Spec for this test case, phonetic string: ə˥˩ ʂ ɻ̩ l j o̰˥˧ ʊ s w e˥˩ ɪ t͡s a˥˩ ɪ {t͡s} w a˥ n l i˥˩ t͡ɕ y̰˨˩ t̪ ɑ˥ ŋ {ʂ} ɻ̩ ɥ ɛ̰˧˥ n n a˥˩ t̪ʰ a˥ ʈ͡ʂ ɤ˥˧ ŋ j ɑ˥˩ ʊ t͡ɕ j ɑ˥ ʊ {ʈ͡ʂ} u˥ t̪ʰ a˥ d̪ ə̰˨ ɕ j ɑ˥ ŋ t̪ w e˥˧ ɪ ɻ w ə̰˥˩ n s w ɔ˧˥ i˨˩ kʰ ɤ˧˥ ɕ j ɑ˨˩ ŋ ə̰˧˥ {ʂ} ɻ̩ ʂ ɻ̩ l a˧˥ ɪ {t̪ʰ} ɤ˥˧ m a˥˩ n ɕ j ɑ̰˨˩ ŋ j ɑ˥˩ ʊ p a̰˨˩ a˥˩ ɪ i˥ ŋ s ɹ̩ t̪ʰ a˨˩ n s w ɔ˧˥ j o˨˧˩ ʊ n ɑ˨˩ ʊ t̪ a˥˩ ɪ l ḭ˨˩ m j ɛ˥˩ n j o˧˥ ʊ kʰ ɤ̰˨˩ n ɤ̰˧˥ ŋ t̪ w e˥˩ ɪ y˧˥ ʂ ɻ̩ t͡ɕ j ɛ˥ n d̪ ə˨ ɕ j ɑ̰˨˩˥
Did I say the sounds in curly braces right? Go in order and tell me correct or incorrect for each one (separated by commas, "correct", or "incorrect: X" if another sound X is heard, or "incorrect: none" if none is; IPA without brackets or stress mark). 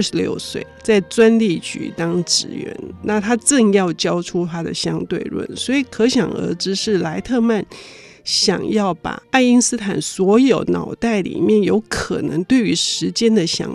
correct, incorrect: ʈ͡ʂ, incorrect: ʈ͡ʂʰ, incorrect: ʈ͡ʂ, correct